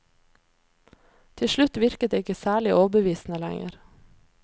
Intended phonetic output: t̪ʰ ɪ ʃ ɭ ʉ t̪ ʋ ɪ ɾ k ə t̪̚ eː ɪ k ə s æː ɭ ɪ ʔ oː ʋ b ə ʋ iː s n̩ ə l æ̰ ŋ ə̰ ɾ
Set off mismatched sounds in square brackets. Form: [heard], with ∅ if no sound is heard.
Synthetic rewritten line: t̪ʰ ɪ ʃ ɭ ʉ t̪ ʋ ɪ ɾ k ə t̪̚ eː ɪ k ə s æː ɭ ɪ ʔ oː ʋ b ə ʋ iː s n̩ ə l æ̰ ŋ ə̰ ɾ